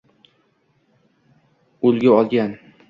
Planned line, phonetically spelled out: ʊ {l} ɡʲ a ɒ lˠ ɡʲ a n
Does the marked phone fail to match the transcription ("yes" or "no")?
no